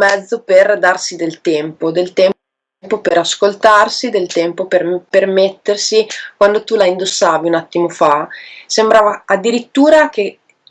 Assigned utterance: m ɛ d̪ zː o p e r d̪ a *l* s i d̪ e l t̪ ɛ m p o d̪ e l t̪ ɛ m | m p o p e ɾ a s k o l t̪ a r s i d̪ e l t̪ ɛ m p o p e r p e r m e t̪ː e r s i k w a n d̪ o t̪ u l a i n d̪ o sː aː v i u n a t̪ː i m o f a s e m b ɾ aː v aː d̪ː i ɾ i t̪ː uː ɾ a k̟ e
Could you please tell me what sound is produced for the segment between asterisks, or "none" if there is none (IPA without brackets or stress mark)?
r